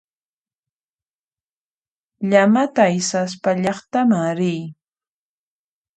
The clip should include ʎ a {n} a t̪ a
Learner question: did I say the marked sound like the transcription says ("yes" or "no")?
no